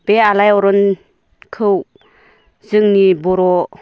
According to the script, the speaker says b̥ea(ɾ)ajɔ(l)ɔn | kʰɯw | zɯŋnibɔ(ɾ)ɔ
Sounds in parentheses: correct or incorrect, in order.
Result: incorrect: l, incorrect: ɾ, correct

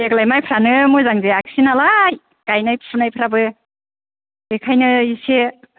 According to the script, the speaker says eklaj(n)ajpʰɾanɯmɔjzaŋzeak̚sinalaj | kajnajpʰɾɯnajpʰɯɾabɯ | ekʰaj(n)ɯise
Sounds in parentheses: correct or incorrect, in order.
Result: incorrect: m, correct

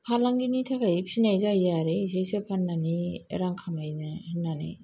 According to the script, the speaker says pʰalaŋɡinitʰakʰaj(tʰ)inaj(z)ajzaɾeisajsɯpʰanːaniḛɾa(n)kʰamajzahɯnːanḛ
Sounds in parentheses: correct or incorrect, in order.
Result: incorrect: pʰ, correct, incorrect: ŋ

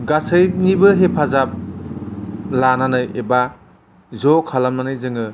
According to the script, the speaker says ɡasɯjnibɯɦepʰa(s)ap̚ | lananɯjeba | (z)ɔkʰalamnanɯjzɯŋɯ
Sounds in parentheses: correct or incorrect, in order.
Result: incorrect: z, correct

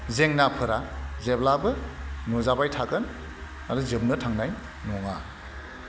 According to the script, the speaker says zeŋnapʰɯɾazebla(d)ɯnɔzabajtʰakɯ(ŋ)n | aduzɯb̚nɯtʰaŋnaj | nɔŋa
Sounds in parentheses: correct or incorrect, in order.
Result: incorrect: b, incorrect: none

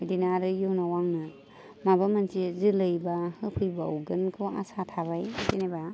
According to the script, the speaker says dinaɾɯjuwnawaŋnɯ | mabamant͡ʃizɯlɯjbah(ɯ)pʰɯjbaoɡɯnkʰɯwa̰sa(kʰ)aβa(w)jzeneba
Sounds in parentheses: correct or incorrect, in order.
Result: correct, incorrect: tʰ, incorrect: none

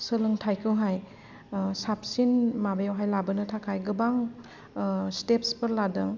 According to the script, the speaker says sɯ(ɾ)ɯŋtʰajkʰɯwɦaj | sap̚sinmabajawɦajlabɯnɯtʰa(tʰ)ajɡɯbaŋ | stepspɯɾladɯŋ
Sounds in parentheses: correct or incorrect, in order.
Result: incorrect: l, incorrect: kʰ

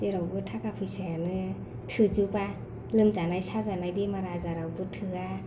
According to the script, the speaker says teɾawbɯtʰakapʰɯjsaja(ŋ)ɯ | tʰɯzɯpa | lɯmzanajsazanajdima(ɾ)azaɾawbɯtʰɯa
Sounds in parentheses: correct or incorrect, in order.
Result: incorrect: n, correct

